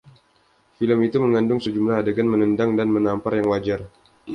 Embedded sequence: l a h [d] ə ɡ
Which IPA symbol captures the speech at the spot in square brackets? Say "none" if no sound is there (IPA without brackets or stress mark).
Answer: d